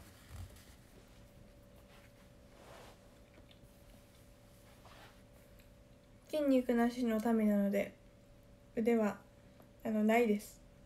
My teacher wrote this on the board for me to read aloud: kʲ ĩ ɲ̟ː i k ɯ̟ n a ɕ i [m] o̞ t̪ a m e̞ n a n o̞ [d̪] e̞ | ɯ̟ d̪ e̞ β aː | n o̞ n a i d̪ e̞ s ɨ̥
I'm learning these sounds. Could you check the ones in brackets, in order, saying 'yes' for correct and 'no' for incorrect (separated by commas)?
no, yes